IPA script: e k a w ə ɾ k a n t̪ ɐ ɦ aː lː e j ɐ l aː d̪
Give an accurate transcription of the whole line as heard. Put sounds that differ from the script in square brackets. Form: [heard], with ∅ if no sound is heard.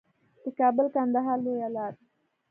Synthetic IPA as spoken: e k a [b] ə [l] k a n [d̪] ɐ ɦ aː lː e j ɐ l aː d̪